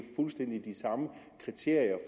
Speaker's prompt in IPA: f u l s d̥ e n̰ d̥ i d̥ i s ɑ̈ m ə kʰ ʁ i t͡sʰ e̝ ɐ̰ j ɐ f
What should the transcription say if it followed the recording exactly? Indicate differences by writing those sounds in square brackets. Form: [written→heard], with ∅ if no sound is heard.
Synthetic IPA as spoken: f u l s d̥ e n̰ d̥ i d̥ i s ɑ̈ m ə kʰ ʁ i t͡sʰ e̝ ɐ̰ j ɐ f